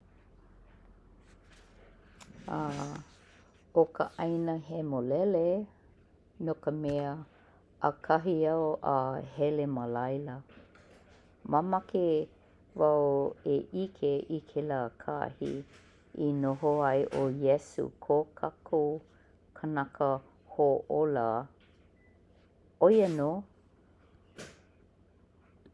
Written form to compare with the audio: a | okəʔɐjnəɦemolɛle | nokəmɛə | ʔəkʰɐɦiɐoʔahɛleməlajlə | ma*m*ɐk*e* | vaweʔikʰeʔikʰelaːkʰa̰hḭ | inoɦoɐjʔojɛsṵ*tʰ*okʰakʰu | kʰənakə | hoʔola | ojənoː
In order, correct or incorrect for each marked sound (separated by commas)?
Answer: correct, correct, incorrect